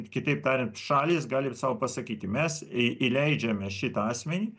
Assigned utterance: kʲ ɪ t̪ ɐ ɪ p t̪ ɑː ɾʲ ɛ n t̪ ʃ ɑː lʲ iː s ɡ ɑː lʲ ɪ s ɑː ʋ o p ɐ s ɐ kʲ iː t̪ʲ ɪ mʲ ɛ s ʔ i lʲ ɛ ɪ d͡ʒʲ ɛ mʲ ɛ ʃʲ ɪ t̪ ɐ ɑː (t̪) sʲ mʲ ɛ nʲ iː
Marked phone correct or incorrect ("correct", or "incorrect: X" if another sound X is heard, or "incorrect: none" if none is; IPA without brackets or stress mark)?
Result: incorrect: none